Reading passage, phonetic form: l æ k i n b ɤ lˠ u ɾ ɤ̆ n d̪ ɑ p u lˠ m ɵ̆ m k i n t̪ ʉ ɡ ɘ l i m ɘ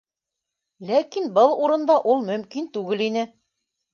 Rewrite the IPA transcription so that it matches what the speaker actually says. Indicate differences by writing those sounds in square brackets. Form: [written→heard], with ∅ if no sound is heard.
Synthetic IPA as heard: l æ k i n b ɤ lˠ u ɾ ɤ̆ n d̪ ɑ [p→ʔ] u lˠ m ɵ̆ m k i n t̪ ʉ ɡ ɘ l i [m→n] ɘ